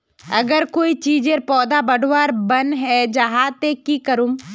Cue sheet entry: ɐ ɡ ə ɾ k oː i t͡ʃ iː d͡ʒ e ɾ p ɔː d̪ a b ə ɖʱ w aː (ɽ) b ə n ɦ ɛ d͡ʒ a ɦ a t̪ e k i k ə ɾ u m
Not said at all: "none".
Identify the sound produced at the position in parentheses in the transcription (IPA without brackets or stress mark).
ɾ